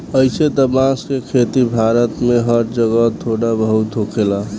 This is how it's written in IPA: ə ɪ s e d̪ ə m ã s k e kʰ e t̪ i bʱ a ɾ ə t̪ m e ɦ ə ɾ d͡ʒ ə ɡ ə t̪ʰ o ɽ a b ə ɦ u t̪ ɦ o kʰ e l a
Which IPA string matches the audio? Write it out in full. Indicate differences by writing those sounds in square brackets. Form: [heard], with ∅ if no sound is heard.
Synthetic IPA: ə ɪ s e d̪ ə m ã s k e kʰ e t̪ i bʱ a ɾ ə t̪ m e ɦ ə ɾ d͡ʒ ə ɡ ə t̪ʰ o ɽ a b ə ɦ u t̪ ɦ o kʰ e l a